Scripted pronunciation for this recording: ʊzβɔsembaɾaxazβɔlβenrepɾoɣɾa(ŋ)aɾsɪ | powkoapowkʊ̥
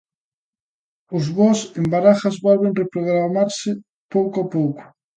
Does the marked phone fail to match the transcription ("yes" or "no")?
yes